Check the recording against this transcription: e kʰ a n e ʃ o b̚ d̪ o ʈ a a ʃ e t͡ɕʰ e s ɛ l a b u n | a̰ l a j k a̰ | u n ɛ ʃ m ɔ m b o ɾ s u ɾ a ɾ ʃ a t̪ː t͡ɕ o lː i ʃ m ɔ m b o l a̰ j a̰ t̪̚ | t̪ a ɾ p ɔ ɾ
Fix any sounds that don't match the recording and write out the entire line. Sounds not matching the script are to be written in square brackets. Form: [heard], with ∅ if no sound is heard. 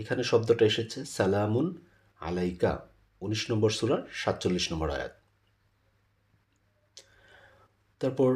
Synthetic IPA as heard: e kʰ a n e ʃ [ɔ] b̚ d̪ o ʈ a [e] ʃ e t͡ɕʰ e s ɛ l a [m] u n | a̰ l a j k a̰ | u n [i] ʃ [n] ɔ m b o ɾ s u ɾ a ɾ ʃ a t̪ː t͡ɕ o lː i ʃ [n] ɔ m b o [ɾ] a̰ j a̰ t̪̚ | t̪ a ɾ p ɔ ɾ